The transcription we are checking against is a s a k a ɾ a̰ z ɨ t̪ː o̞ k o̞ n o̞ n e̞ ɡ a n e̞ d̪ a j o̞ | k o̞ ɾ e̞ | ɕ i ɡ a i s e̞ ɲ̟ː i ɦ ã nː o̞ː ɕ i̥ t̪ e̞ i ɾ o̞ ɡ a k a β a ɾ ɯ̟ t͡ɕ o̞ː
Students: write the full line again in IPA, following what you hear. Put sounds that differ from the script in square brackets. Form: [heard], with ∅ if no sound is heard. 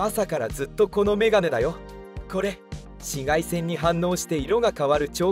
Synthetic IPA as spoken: a s a k a ɾ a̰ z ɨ t̪ː o̞ k o̞ n o̞ [m] e̞ ɡ a n e̞ d̪ a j o̞ | k o̞ ɾ e̞ | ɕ i ɡ a i s [ẽ̞] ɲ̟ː i ɦ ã nː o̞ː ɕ i̥ t̪ e̞ i ɾ o̞ ɡ a k a β a ɾ ɯ̟ t͡ɕ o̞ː